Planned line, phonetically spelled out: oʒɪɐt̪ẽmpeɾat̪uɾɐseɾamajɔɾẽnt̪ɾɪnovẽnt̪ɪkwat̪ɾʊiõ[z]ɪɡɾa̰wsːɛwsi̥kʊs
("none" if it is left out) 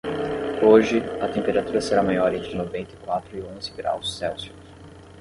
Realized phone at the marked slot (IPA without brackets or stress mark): z